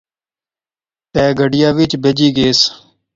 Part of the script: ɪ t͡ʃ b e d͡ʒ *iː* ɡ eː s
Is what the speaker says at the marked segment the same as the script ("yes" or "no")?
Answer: yes